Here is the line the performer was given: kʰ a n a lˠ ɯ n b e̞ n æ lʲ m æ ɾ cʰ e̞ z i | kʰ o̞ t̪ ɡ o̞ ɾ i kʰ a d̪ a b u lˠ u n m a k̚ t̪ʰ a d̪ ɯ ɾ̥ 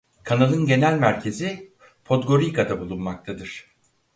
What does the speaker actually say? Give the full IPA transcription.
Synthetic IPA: kʰ a n a lˠ ɯ n ɟ e̞ n æ lʲ m æ ɾ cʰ e̞ z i | pʰ o̞ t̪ ɡ o̞ ɾ i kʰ a d̪ a b u lˠ u n m a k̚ t̪ʰ a d̪ ɯ ɾ̥